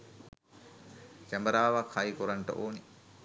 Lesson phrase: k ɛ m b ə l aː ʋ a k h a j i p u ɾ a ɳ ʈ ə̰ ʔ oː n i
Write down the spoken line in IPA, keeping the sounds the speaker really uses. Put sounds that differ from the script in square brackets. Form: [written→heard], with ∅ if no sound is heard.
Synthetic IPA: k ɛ m b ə [l→ɾ] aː ʋ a k h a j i [p→k] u ɾ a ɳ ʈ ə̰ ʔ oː n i

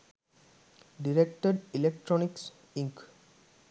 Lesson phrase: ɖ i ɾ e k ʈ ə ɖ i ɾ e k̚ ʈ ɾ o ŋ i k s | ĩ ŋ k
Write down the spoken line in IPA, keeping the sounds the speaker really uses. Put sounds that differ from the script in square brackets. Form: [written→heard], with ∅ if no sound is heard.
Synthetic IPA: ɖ i ɾ e k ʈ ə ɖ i [ɾ→l] e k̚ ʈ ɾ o [ŋ→n] i k s | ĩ ŋ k

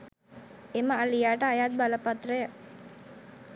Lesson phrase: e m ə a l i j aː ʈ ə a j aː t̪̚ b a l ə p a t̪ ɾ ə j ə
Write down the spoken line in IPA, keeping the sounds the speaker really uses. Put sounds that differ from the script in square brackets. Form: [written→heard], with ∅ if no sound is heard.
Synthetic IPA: e m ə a l i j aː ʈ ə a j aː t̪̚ b a l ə p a t̪ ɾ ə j ə

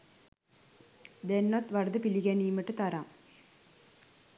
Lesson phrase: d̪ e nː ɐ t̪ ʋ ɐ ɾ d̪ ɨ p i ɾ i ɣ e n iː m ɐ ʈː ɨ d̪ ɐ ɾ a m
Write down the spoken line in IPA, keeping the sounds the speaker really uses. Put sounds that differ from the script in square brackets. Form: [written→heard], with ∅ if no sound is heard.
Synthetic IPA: d̪ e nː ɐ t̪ ʋ ɐ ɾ d̪ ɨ p i [ɾ→l] i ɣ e n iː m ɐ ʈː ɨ [d̪→t̪] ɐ ɾ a m

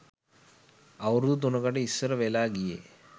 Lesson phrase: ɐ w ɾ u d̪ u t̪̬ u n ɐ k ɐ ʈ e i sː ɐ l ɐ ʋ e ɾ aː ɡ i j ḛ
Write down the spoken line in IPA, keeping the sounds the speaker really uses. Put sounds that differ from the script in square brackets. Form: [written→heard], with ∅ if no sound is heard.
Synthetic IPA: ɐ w ɾ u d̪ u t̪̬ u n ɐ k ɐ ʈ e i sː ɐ [l→ɾ] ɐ ʋ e [ɾ→l] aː ɡ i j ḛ

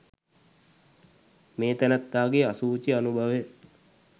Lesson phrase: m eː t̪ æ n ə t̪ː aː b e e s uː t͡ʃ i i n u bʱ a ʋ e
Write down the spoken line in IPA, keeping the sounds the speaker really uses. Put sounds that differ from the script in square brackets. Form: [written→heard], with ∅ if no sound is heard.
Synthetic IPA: m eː t̪ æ n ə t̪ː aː [b→ɡ] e [e→a] s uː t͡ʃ i [i→a] n u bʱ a ʋ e

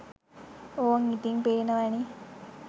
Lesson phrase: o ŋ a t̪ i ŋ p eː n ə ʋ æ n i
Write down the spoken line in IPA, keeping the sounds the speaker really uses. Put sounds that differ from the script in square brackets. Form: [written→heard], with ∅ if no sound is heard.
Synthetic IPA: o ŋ [a→i] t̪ i ŋ p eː n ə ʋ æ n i

